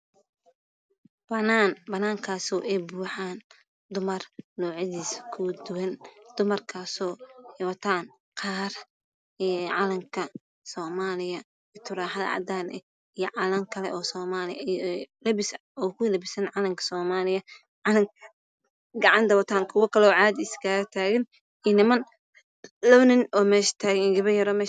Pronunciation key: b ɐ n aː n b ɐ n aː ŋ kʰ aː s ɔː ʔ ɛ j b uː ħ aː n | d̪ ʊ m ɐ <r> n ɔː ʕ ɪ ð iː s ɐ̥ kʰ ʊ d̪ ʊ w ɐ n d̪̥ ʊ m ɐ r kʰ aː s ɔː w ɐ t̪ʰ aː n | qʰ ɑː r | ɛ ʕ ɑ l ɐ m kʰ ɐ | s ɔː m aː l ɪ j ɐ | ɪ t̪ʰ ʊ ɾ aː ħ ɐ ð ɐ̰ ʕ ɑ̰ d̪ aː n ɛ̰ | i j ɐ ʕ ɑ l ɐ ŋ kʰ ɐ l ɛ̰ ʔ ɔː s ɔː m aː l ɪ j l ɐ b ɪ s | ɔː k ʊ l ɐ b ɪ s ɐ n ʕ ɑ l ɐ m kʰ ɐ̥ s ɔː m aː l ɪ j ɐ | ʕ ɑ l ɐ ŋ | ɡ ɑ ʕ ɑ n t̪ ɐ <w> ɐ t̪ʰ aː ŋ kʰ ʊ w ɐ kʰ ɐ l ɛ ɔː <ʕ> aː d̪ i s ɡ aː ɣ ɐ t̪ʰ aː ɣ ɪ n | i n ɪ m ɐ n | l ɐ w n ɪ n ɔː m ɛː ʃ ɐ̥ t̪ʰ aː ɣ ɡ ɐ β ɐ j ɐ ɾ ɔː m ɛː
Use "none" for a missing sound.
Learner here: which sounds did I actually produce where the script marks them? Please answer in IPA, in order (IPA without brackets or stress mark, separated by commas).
r, w, ʕ